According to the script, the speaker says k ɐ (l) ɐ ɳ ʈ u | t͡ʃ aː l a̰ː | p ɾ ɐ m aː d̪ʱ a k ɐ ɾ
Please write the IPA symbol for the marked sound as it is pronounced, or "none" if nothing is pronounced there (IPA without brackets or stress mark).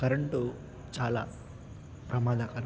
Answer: ɾ